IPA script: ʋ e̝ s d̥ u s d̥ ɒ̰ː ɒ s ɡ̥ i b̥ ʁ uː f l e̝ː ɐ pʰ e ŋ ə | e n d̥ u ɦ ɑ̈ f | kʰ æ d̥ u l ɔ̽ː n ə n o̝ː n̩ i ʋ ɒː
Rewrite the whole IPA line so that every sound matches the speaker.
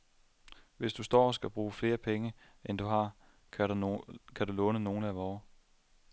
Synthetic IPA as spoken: ʋ e̝ s d̥ u s d̥ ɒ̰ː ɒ s ɡ̥ æ b̥ ʁ uː f l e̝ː ɐ pʰ e ŋ ə | e n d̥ u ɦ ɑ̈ | kʰ æ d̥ u l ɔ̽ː n ə n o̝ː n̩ æ ʋ ɒː